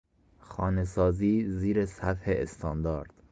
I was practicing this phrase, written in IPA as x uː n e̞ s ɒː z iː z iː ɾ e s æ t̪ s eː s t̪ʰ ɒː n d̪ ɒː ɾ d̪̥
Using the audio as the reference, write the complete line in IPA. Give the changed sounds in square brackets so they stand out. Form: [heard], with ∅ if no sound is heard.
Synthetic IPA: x [ɒː] n e̞ s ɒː z iː z iː ɾ e s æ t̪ [h] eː s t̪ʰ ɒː n d̪ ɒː ɾ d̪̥